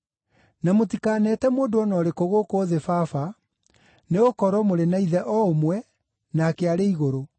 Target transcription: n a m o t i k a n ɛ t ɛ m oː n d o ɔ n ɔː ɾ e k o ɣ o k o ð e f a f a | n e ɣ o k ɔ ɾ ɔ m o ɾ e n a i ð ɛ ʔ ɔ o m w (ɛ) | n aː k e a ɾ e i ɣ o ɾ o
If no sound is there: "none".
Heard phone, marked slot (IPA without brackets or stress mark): ɛ